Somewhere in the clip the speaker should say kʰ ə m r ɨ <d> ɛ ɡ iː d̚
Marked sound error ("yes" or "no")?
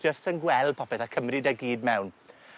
no